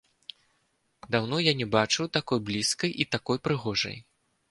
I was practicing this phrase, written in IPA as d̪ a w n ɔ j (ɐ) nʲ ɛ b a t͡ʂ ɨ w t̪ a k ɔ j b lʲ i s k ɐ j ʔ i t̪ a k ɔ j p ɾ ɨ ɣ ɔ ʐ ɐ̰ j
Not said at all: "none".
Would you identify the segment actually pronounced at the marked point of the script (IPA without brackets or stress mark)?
a